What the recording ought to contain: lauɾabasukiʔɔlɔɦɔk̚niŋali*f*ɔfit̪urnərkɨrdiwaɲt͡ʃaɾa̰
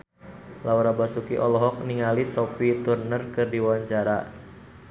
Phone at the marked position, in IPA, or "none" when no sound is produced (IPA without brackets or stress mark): s